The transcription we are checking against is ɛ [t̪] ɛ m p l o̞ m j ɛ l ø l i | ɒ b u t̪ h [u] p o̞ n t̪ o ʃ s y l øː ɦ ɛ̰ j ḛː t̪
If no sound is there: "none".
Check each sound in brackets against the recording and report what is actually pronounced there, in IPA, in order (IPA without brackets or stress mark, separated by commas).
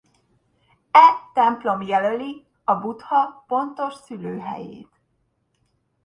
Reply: t̪, ɒ